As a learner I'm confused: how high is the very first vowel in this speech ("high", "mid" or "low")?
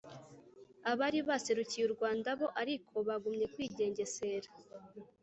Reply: low